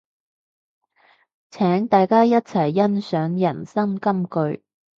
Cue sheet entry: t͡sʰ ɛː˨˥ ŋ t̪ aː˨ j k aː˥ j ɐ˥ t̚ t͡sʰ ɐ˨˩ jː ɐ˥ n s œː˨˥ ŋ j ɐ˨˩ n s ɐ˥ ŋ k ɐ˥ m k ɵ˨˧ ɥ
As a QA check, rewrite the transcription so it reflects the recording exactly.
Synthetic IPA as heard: t͡sʰ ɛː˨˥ ŋ t̪ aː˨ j k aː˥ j ɐ˥ t̚ t͡sʰ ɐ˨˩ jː ɐ˥ n s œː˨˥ ŋ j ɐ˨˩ n s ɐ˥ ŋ k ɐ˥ m k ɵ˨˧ ɥ